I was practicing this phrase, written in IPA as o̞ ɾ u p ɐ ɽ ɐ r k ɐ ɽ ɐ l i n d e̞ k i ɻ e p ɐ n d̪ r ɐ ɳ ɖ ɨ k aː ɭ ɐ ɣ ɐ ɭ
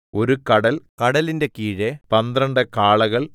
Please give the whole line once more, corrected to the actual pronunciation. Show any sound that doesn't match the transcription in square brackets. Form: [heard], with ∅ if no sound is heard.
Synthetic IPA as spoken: o̞ ɾ u [k] ɐ ɽ ɐ [l] k ɐ ɽ ɐ l i n d e̞ k [iː] ɻ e p ɐ n d̪ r ɐ ɳ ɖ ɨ k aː ɭ ɐ ɣ ɐ ɭ

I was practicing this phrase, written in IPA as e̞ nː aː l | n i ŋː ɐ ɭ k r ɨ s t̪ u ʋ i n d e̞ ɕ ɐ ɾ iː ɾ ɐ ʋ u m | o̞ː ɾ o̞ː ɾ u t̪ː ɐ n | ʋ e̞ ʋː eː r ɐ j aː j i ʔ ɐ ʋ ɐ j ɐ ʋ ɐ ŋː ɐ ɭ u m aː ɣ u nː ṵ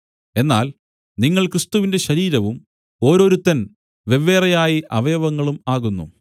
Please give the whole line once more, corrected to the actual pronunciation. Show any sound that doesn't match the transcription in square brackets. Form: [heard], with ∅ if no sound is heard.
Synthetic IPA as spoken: e̞ nː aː l | n i ŋː ɐ ɭ k r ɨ s t̪ u ʋ i n d e̞ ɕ ɐ ɾ iː ɾ ɐ ʋ u m | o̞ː ɾ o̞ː ɾ u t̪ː ɐ n | ʋ e̞ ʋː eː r ɐ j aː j i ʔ ɐ ʋ ɐ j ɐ ʋ ɐ ŋː ɐ ɭ u m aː ɣ u nː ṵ

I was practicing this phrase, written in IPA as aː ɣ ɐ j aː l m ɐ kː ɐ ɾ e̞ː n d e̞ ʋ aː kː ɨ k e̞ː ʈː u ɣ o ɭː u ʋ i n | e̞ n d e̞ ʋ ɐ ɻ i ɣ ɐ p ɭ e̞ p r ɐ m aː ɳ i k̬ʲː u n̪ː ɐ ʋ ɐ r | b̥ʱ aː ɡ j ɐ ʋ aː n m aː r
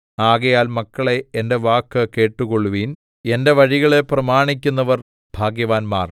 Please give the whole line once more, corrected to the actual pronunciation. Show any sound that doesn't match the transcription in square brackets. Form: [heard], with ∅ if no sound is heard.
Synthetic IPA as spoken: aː ɣ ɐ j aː l m ɐ kː ɐ [ɭ] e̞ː n d e̞ ʋ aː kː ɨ k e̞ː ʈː u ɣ o ɭː u ʋ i n | e̞ n d e̞ ʋ ɐ ɻ i ɣ ɐ [∅] ɭ e̞ p r ɐ m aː ɳ i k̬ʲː u n̪ː ɐ ʋ ɐ r | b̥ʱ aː ɡ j ɐ ʋ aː n m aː r

